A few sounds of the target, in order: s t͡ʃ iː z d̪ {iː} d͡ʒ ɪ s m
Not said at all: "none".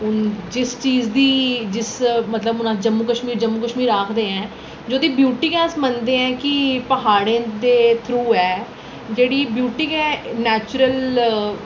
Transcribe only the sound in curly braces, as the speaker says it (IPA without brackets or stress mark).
iː